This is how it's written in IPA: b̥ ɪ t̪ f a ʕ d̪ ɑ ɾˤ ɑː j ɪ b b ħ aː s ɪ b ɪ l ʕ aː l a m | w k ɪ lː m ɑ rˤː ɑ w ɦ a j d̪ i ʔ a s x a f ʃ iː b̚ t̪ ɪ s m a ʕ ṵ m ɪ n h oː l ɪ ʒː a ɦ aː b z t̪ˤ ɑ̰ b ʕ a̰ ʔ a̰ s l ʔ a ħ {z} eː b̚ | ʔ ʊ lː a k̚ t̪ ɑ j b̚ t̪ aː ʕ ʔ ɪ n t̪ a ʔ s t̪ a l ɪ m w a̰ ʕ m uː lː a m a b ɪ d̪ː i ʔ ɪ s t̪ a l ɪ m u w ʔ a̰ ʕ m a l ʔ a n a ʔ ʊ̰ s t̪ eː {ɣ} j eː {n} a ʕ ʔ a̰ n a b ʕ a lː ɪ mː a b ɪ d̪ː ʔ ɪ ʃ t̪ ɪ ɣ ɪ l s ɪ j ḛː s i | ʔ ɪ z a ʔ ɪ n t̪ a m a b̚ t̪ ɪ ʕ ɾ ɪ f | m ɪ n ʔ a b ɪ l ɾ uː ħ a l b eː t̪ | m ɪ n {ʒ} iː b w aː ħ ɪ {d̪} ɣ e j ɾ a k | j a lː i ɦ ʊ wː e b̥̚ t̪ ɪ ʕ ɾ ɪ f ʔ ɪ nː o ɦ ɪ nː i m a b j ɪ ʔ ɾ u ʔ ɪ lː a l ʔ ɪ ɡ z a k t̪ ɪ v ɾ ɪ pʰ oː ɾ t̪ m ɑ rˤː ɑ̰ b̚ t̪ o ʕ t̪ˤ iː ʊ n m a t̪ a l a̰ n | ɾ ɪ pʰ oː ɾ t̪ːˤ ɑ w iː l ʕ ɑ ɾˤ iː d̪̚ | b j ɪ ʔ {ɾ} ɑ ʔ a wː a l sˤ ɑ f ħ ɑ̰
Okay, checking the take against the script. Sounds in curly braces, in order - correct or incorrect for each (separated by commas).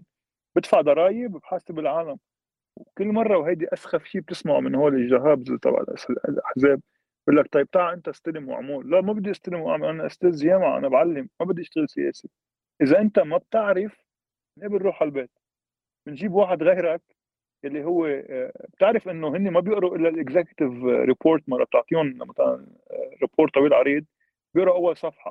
correct, incorrect, incorrect, correct, correct, correct